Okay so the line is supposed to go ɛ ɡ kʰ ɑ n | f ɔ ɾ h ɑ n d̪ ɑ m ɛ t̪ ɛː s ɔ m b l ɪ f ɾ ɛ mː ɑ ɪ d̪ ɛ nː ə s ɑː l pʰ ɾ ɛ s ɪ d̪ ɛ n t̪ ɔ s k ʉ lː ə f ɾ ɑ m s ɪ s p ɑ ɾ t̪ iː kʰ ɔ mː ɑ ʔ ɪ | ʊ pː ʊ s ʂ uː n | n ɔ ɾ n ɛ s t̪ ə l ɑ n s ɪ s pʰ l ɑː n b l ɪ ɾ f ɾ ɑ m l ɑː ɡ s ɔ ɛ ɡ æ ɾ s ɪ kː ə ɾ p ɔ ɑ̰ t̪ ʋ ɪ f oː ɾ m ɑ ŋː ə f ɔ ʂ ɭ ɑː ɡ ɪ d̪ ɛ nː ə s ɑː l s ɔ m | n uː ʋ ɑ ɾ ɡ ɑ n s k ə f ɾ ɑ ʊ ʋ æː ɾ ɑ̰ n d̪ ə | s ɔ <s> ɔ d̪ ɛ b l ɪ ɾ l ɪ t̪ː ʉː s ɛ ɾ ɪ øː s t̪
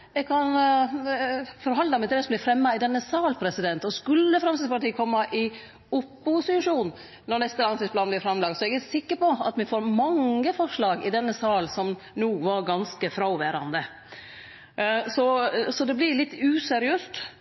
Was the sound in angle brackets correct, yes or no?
yes